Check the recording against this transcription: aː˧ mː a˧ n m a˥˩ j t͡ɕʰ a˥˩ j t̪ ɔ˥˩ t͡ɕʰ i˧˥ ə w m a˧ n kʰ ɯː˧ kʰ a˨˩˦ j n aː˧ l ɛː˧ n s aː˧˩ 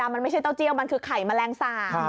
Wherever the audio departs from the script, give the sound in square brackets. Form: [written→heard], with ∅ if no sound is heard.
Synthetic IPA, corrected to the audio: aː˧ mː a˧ n m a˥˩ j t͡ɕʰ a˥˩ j t̪ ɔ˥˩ [t͡ɕʰ→t͡ɕ] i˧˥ ə w m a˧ n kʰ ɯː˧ kʰ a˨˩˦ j [n→m] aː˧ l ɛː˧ [n→ŋ] s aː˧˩

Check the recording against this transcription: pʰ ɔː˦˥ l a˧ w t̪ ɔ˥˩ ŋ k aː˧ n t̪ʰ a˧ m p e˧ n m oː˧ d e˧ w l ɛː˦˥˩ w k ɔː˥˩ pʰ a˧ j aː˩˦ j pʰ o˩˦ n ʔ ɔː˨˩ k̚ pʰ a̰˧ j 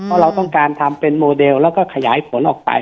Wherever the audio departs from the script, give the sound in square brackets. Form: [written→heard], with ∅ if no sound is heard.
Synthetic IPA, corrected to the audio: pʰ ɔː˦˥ [l→ɾ] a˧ w t̪ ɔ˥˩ ŋ k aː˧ n t̪ʰ a˧ m p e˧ n m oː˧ d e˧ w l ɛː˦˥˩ w k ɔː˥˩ [pʰ→kʰ] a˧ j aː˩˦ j pʰ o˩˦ n ʔ ɔː˨˩ k̚ [pʰ→p] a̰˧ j

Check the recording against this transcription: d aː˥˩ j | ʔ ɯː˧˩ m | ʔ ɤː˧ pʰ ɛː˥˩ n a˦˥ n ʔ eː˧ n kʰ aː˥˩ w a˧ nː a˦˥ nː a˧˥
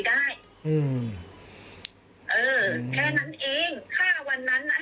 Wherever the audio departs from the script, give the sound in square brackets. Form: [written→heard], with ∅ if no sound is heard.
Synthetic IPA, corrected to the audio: d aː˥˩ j | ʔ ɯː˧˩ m | ʔ ɤː˧ [pʰ→kʰ] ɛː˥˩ n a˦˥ n ʔ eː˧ [n→ŋ] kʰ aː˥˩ w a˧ nː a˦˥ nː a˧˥

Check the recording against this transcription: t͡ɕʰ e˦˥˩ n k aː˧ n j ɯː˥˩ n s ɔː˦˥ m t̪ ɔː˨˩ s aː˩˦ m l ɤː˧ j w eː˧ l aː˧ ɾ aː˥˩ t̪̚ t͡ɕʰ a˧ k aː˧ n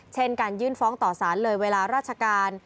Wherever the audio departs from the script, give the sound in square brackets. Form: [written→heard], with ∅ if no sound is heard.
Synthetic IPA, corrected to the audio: t͡ɕʰ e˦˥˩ n k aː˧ n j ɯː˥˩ n [s→f] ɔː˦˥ [m→ŋ] t̪ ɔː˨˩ s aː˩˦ [m→n] l ɤː˧ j w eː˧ l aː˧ ɾ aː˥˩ t̪̚ t͡ɕʰ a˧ k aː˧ n

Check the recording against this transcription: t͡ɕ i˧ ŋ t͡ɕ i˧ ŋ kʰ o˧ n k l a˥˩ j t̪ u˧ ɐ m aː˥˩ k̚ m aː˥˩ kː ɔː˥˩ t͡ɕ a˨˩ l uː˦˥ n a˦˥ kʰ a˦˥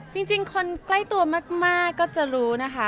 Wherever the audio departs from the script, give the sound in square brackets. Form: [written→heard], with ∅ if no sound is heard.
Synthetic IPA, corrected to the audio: t͡ɕ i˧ ŋ t͡ɕ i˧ ŋ kʰ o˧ n k l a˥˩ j t̪ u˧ ɐ m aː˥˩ k̚ m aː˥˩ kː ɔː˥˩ t͡ɕ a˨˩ [l→ɾ] uː˦˥ n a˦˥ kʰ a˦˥

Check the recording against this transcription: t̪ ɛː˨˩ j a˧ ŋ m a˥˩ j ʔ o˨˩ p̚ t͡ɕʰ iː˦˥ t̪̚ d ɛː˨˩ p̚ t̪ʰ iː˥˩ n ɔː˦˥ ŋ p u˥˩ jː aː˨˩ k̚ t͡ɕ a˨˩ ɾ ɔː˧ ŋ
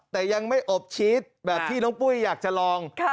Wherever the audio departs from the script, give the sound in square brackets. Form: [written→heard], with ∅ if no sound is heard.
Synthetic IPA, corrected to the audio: t̪ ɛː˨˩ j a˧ ŋ m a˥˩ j ʔ o˨˩ p̚ t͡ɕʰ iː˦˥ t̪̚ [d→b] ɛː˨˩ p̚ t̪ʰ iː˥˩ n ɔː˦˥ ŋ p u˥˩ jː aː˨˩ k̚ t͡ɕ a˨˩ [ɾ→l] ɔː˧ ŋ

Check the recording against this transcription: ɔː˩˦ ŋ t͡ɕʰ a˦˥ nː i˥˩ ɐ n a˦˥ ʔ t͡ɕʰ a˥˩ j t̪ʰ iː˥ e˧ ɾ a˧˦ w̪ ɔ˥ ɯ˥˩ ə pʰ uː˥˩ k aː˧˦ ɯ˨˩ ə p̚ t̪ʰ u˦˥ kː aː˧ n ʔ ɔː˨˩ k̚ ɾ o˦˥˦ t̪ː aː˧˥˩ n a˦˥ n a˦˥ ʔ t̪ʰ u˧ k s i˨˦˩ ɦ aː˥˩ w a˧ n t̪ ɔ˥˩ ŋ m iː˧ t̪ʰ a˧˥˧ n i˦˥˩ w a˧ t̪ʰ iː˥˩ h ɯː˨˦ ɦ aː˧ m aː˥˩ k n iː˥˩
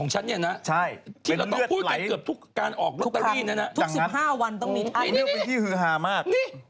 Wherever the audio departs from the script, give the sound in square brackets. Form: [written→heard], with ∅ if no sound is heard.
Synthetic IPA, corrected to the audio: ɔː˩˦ ŋ t͡ɕʰ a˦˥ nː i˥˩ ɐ n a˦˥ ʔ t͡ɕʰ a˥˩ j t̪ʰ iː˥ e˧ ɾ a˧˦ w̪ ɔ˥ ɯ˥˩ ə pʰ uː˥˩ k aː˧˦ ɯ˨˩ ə p̚ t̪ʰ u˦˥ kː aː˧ n ʔ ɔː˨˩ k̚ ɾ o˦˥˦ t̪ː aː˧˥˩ n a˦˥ n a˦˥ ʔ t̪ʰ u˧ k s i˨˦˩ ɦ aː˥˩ w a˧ n t̪ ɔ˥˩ ŋ m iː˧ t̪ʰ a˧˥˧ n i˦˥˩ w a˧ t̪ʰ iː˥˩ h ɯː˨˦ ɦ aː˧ m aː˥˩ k n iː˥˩

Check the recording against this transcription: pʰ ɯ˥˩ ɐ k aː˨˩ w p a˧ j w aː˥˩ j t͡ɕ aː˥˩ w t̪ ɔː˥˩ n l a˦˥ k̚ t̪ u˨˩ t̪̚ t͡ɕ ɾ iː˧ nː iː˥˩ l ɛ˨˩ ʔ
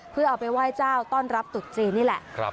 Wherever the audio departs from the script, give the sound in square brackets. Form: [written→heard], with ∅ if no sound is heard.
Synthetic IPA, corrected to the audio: pʰ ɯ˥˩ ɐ [k→ʔ] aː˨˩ w p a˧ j w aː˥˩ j t͡ɕ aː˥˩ w t̪ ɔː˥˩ n [l→ɾ] a˦˥ [k̚→p̚] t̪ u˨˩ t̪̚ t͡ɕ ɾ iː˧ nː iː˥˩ l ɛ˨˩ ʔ

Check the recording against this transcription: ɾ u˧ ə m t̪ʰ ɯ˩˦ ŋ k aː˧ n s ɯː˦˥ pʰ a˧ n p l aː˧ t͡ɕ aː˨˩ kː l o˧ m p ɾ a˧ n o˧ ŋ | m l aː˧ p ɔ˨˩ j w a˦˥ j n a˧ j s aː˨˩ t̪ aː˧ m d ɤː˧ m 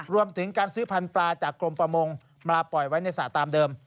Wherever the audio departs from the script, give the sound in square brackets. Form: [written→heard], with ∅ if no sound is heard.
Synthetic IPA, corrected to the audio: ɾ u˧ ə m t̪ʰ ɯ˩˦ ŋ k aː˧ n s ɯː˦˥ pʰ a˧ n p l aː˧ t͡ɕ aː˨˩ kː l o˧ m p ɾ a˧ [n→m] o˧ ŋ | m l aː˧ p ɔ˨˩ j w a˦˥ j n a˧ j s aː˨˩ t̪ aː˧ m d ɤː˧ m

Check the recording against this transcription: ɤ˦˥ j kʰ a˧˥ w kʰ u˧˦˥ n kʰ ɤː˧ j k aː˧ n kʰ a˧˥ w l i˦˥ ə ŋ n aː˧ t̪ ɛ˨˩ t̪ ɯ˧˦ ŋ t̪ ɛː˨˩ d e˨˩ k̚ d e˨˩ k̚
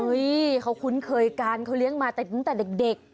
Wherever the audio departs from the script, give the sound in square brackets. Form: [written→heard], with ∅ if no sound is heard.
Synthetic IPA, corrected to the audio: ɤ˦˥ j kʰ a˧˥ w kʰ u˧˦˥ n kʰ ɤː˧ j k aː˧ n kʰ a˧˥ w l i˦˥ ə ŋ [n→m] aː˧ t̪ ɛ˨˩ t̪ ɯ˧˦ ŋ t̪ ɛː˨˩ d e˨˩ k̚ d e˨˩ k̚

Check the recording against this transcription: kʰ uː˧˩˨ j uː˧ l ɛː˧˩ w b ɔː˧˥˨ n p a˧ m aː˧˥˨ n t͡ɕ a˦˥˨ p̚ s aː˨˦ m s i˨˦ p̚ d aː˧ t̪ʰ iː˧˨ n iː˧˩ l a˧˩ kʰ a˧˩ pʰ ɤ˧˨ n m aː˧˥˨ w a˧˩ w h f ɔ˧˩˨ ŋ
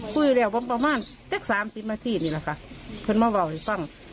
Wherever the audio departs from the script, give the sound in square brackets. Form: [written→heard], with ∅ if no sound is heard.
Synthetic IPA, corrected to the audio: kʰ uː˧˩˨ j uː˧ l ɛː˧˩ w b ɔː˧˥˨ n p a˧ m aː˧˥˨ n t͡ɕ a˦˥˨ [p̚→k̚] s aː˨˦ m s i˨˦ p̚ [d→n] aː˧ t̪ʰ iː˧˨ n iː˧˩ l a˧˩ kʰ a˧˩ pʰ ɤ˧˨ n m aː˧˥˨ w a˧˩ w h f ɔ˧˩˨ ŋ

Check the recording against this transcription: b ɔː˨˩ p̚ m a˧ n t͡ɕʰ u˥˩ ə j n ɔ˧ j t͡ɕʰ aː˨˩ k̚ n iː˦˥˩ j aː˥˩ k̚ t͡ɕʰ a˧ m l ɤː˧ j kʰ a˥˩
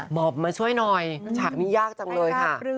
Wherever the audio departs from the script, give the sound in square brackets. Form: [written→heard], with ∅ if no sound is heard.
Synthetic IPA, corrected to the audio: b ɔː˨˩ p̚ m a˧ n t͡ɕʰ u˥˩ ə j n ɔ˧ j t͡ɕʰ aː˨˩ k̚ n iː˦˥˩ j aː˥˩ k̚ [t͡ɕʰ→t͡ɕ] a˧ [m→ŋ] l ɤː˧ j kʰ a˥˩

